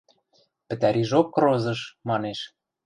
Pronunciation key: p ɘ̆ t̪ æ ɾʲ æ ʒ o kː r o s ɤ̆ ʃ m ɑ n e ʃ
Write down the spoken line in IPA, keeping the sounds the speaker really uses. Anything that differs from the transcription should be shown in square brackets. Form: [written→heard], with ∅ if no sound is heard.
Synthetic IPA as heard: p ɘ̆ t̪ æ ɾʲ [æ→i] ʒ o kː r o [s→z] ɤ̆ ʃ m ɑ n e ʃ